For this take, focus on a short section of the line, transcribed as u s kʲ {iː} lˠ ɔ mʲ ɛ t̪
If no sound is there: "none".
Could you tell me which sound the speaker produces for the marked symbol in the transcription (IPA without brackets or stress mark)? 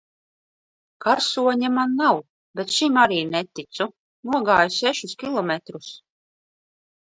i